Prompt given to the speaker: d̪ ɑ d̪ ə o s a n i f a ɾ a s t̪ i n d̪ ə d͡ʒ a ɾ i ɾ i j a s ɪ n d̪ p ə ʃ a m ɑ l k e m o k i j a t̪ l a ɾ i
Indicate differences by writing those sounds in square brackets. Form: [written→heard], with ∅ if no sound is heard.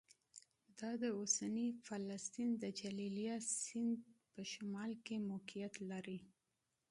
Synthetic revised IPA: d̪ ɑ d̪ ə o s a n i f a [ɾ→l] a s t̪ i n d̪ ə d͡ʒ a [ɾ→l] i [ɾ→l] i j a s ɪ n d̪ p ə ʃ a m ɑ l k e m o k i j a t̪ l a ɾ i